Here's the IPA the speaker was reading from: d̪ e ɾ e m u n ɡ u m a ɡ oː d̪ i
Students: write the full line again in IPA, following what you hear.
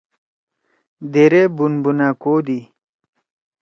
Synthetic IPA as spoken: d̪ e ɾ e b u n b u n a k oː d̪ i